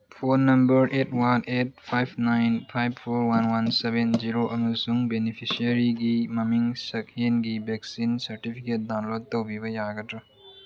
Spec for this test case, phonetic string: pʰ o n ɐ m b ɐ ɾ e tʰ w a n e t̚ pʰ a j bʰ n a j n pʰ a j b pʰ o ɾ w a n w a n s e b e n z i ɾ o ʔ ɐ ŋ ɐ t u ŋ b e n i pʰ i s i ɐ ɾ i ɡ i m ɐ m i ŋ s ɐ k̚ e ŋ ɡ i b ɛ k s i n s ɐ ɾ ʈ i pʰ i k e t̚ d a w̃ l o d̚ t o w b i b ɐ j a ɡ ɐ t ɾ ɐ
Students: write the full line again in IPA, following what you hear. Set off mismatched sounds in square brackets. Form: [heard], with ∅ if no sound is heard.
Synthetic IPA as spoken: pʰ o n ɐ m b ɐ ɾ e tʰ w a n e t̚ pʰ a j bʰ n a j n pʰ a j b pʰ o ɾ w a n w a n s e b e n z i ɾ o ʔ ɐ [m] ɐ [s] u ŋ b e n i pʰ i s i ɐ ɾ i ɡ i m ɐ m i ŋ s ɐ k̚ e [n] ɡ i b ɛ k s i n s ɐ ɾ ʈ i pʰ i k e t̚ d a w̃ l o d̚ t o w b i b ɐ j a ɡ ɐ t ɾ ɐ

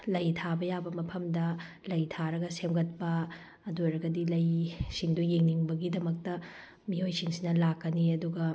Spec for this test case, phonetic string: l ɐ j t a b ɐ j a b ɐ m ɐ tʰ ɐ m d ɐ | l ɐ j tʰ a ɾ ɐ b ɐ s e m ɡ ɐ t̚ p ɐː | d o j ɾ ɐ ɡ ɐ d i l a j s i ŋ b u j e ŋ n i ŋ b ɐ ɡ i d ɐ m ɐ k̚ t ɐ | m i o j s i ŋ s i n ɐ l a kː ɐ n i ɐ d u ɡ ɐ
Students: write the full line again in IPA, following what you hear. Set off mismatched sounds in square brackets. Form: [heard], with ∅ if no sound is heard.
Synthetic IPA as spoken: l ɐ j [tʰ] a b ɐ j a b ɐ m ɐ [pʰ] ɐ m d ɐ | l ɐ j tʰ a ɾ ɐ [ɡ] ɐ s e m ɡ ɐ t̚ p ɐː | d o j ɾ ɐ ɡ ɐ d i l [ɐ] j s i ŋ [d] u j e ŋ n i ŋ b ɐ ɡ i d ɐ m ɐ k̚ t ɐ | m i o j s i ŋ s i n ɐ l a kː ɐ n i ɐ d u ɡ ɐ

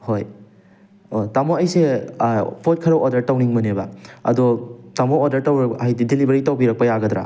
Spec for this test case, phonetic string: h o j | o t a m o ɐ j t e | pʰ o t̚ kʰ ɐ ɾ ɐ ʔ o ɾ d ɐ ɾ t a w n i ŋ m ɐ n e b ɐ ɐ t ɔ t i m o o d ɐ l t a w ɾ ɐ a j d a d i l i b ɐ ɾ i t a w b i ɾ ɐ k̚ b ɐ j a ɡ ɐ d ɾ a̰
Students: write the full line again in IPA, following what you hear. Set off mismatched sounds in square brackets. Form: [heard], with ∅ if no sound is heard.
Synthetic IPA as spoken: h o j | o t a m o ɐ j [s] e | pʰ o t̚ kʰ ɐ ɾ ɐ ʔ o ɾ d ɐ ɾ t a w n i ŋ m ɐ n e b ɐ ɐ [d] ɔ t [a] m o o d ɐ [ɾ] t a w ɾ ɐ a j d [i] d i l i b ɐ ɾ i t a w b i ɾ ɐ k̚ [p] ɐ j a ɡ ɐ d ɾ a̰

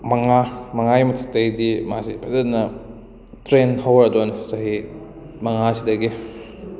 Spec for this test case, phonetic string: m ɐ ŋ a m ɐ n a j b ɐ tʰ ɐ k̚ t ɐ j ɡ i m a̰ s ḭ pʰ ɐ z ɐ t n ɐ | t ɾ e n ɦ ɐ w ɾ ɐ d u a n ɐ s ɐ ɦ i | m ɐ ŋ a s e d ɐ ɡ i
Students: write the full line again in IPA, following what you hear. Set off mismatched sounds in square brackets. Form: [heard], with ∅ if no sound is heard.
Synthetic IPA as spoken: m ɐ ŋ a m ɐ [ŋ] a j [m] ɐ tʰ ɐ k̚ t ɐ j [d] i m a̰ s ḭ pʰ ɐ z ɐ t n ɐ | t ɾ e n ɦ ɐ w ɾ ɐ d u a n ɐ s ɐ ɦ i | m ɐ ŋ a s [i] d ɐ ɡ i

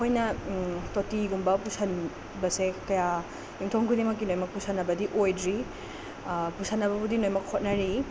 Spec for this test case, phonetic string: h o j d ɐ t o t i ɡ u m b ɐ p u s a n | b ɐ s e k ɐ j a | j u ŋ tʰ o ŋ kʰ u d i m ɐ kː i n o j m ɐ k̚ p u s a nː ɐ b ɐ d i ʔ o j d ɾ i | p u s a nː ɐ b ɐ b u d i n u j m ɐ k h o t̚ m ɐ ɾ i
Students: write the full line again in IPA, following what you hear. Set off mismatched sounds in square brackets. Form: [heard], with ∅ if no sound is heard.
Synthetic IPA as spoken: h o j [n] ɐ t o t i ɡ u m b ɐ p u s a n | b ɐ s e k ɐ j a | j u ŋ tʰ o ŋ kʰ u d i m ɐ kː i n o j m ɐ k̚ p u s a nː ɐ b ɐ d i ʔ o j d ɾ i | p u s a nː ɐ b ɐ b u d i n [o] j m ɐ k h o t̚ [n] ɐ ɾ i

